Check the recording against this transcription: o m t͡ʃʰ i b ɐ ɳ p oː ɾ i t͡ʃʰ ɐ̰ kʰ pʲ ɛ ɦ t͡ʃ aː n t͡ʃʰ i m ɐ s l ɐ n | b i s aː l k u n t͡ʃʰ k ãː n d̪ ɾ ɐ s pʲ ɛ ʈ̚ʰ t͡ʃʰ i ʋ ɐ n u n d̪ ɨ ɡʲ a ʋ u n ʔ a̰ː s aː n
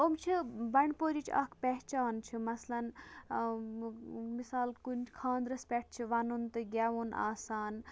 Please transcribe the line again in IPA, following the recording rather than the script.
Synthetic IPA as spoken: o m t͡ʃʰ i b ɐ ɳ p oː ɾ i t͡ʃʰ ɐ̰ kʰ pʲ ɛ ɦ t͡ʃ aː n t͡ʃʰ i m ɐ s l ɐ n | m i s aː l k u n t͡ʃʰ kʰ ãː n d̪ ɾ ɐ s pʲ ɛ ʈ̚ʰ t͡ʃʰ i ʋ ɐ n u n t̪ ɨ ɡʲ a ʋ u n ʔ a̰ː s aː n